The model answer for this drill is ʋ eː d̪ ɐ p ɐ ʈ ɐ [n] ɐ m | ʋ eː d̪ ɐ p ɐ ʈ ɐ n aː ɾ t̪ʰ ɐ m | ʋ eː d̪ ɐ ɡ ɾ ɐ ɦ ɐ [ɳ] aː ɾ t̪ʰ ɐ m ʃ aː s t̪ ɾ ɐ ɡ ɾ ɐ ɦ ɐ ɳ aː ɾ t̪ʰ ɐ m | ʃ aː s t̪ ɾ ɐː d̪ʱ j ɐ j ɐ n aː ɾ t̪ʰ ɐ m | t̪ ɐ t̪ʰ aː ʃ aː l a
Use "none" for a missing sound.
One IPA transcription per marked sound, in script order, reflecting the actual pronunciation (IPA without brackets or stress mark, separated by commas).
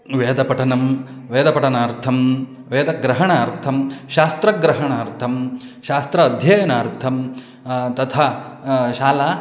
n, ɳ